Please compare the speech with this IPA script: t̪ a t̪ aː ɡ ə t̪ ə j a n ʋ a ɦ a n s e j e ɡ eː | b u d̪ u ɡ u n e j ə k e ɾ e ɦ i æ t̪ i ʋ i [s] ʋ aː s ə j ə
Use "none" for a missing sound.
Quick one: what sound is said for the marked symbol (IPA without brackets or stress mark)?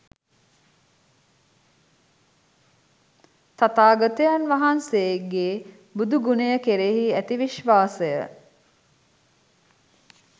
ʃ